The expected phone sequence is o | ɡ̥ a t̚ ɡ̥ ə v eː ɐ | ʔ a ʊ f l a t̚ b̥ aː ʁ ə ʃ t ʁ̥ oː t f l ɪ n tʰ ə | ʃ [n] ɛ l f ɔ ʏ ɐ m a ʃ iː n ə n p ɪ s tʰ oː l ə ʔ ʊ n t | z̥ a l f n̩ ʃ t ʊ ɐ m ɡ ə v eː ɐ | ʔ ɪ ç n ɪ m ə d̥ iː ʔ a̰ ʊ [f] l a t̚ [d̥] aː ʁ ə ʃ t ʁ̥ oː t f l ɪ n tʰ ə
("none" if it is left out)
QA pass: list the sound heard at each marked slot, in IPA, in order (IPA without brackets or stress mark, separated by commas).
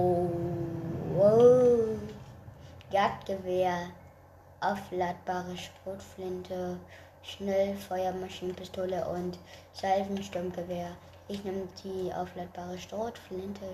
n, f, b̥